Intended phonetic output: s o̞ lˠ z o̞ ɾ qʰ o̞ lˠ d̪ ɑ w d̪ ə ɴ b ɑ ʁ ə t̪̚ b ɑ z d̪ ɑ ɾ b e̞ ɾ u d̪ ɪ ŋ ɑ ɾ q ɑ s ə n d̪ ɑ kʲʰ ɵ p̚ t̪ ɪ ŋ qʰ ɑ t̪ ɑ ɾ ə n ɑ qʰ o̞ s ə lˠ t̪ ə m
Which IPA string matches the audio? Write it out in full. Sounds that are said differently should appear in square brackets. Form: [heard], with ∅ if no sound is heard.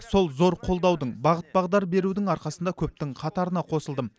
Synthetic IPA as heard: s o̞ lˠ z o̞ ɾ qʰ o̞ lˠ d̪ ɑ w d̪ ə ɴ b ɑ ʁ ə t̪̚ b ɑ [ʁ] d̪ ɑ ɾ b e̞ ɾ u d̪ ɪ ŋ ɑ ɾ q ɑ s ə n d̪ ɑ kʲʰ ɵ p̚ t̪ ɪ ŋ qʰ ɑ t̪ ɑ ɾ ə n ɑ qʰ o̞ s ə lˠ [d̪] ə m